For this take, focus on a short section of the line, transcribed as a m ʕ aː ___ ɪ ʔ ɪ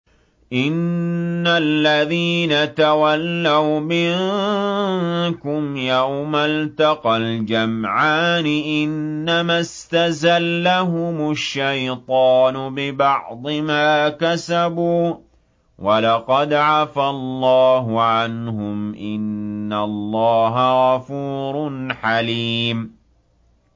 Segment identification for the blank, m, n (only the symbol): n